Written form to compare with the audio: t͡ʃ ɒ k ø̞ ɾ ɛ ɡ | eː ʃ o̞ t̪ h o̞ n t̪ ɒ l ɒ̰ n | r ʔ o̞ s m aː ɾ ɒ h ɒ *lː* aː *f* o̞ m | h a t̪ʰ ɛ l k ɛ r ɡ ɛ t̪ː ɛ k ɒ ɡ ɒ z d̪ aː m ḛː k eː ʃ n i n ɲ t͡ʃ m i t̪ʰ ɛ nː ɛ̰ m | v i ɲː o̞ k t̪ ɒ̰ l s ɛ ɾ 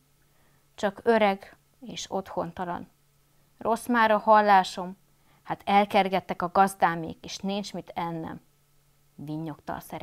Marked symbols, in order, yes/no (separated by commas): yes, no